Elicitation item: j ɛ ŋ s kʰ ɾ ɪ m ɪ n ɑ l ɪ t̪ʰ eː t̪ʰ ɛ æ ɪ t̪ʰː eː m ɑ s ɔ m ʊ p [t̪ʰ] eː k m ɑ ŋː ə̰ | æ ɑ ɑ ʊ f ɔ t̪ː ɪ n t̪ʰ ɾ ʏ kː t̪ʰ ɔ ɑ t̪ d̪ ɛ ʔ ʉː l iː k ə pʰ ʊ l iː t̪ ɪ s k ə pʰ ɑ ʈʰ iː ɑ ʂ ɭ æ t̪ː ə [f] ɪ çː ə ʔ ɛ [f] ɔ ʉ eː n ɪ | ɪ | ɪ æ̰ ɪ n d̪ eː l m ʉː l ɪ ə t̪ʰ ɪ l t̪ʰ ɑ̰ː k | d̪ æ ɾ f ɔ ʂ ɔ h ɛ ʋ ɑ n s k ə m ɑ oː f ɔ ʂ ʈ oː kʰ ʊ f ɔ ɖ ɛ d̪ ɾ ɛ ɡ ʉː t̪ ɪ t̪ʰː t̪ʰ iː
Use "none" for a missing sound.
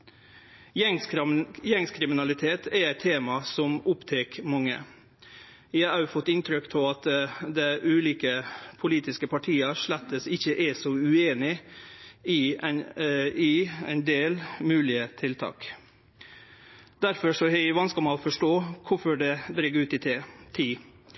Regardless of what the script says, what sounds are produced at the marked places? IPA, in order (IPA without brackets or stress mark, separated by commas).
t̪ʰ, s, s